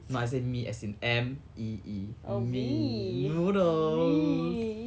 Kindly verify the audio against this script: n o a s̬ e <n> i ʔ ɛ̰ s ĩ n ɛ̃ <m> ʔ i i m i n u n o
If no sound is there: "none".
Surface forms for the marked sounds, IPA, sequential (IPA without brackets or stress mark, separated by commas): m, m